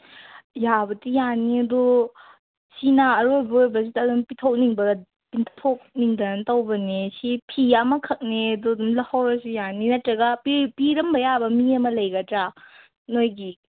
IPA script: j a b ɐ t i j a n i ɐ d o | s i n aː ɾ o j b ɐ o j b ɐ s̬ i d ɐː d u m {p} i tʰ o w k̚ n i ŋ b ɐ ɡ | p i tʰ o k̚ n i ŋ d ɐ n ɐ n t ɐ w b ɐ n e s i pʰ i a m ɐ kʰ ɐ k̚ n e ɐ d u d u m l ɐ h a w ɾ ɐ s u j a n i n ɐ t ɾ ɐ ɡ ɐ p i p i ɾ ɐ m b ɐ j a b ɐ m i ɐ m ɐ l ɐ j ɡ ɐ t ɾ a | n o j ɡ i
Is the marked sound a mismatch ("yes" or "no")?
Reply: no